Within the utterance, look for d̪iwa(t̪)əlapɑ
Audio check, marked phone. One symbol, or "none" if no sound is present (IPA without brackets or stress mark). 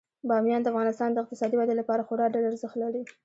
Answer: d̪